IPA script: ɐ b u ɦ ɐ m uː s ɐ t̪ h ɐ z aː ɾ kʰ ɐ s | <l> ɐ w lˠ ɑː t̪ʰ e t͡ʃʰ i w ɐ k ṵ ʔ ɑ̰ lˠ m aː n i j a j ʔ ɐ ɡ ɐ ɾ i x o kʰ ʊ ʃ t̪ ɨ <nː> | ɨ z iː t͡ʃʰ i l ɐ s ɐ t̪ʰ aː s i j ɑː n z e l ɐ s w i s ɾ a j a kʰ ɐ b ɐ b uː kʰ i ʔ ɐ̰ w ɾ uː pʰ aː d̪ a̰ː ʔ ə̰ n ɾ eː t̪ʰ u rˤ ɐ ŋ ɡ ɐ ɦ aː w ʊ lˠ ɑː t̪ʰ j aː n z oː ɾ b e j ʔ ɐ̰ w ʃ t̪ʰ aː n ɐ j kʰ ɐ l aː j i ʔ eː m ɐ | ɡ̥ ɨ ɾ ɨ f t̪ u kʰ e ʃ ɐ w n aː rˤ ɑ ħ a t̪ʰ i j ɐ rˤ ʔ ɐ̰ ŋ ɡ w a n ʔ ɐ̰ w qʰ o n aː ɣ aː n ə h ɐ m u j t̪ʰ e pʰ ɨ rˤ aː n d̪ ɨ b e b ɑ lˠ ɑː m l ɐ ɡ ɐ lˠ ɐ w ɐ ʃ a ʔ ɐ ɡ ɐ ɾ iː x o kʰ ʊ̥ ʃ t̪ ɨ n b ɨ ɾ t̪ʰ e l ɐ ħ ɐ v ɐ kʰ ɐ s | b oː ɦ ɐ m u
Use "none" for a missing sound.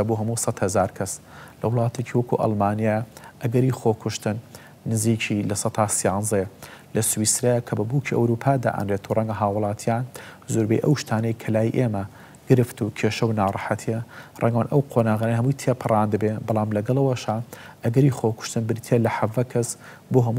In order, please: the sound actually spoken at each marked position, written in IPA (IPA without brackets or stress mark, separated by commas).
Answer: l, nː